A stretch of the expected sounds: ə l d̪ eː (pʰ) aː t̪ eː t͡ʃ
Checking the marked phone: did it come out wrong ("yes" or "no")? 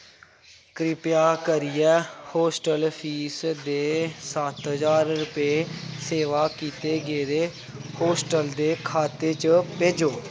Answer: yes